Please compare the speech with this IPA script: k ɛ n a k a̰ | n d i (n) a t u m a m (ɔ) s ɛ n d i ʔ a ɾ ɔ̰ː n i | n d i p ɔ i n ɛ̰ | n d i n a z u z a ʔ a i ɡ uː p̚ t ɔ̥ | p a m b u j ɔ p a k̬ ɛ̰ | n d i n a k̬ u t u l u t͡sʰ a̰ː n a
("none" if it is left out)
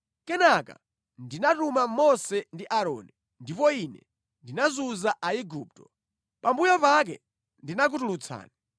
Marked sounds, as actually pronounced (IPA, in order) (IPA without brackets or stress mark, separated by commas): n, ɔ